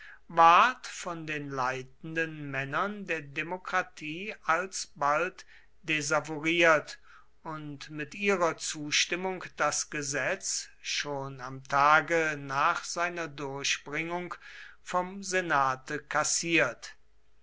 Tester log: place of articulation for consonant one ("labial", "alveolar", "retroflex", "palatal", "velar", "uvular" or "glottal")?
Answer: labial